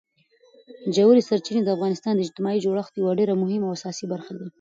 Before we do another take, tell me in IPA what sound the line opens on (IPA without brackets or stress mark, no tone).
d͡ʒ